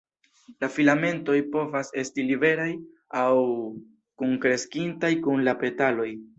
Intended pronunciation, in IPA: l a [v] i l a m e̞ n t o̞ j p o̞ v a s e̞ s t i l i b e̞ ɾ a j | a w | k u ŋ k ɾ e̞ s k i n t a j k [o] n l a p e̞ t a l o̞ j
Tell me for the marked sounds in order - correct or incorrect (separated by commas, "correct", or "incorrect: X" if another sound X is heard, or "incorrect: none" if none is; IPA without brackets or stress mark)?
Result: incorrect: f, incorrect: u